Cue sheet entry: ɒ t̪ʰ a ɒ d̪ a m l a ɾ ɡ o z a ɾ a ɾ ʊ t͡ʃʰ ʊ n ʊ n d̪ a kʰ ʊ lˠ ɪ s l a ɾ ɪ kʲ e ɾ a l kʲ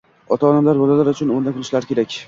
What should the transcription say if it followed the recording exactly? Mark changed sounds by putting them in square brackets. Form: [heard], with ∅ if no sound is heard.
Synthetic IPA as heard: ɒ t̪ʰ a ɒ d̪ a m l a ɾ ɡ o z a [l] a ɾ ʊ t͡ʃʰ ʊ n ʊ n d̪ a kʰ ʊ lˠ ɪ [ʃ] l a ɾ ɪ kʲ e ɾ a [∅] kʲ